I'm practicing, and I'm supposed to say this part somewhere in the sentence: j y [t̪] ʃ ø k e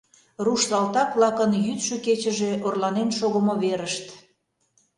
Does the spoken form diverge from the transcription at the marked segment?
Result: no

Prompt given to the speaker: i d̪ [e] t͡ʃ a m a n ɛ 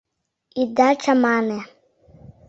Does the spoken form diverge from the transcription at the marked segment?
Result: yes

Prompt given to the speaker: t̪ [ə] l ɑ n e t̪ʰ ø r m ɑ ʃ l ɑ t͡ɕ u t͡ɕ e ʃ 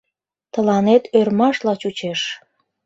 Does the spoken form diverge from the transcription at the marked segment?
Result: no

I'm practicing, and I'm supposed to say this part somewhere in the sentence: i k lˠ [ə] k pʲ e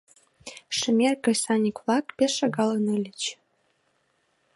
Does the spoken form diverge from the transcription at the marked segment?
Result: yes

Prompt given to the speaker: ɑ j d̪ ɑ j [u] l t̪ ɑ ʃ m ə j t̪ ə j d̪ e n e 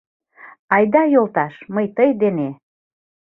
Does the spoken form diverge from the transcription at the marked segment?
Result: yes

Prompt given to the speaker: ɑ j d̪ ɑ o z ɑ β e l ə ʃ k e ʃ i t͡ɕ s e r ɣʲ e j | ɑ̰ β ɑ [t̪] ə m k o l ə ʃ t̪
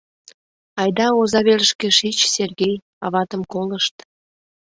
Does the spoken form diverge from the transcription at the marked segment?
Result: no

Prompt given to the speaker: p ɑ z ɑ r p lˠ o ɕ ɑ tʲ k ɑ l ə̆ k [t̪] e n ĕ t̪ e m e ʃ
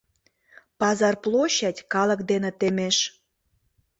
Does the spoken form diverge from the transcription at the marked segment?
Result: yes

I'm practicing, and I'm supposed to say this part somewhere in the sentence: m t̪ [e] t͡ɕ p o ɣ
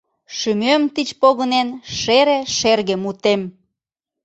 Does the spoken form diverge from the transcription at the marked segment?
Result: yes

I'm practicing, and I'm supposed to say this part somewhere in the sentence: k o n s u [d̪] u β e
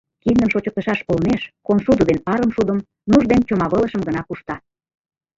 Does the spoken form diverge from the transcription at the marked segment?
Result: no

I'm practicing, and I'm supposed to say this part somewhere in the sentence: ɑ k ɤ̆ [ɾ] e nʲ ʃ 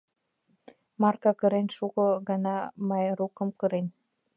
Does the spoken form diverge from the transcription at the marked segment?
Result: no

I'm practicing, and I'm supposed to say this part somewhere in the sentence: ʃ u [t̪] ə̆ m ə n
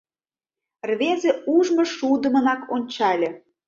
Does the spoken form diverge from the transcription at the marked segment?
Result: yes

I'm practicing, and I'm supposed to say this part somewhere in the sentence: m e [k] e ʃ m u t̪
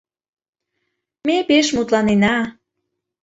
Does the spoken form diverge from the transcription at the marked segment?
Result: yes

